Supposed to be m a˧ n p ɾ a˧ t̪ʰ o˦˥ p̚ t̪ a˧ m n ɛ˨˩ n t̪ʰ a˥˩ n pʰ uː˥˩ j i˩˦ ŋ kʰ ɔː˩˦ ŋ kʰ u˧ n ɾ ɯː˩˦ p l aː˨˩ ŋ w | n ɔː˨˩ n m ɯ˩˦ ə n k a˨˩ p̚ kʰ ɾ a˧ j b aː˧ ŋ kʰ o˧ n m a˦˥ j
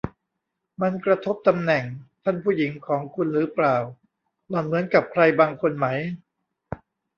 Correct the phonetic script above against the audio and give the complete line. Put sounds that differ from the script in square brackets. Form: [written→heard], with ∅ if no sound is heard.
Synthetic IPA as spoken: m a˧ n [p→k] ɾ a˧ t̪ʰ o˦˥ p̚ t̪ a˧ m n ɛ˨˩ [n→ŋ] t̪ʰ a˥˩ n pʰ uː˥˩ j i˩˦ ŋ kʰ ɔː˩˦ ŋ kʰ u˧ n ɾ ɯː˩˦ p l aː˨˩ [ŋ→∅] w | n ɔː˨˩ n m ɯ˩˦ ə n k a˨˩ p̚ kʰ ɾ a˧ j b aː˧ ŋ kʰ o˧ n m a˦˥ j